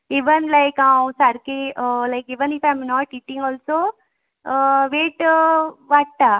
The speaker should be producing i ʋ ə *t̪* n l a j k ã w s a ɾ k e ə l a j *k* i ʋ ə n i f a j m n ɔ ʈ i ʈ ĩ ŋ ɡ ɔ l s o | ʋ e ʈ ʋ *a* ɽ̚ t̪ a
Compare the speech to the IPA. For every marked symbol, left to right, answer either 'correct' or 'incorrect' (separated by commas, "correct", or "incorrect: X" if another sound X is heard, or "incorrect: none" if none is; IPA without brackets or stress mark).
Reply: incorrect: none, correct, correct